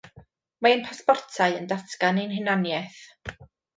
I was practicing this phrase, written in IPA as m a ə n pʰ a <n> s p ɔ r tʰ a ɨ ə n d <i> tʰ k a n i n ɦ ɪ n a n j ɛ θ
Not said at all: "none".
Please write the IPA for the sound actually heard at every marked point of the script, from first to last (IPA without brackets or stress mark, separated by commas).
none, a